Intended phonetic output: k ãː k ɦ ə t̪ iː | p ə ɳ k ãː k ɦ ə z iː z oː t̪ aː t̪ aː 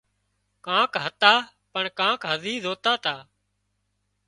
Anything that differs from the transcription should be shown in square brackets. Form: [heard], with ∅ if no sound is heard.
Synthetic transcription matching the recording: k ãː k ɦ ə t̪ [aː] | p ə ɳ k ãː k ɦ ə z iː z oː t̪ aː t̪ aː